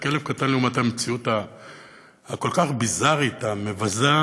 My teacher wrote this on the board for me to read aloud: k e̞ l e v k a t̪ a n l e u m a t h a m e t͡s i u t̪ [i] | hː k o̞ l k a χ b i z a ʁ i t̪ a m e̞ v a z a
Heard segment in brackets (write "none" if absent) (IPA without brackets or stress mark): a